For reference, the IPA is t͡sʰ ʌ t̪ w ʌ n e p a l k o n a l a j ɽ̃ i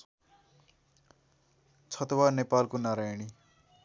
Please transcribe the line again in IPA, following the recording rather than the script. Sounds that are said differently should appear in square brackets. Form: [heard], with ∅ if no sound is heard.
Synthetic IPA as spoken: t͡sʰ ʌ t̪ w [a] n e p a l k o n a [ɾ] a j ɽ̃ i